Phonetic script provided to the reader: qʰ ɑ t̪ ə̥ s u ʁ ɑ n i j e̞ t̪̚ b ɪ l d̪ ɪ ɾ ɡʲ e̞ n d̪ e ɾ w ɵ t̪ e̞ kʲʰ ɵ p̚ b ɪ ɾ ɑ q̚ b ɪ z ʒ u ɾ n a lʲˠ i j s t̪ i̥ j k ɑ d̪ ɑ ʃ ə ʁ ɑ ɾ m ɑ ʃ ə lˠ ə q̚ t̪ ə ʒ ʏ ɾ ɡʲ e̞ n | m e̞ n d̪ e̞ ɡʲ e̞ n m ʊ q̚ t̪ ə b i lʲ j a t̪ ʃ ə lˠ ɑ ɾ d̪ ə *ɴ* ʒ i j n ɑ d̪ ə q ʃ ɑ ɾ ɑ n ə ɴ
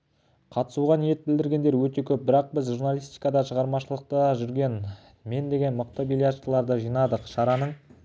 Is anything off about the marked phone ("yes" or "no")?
yes